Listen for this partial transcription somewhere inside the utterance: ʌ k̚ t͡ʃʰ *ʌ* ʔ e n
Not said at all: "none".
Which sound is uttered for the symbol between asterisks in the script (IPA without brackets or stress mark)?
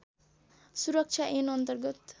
a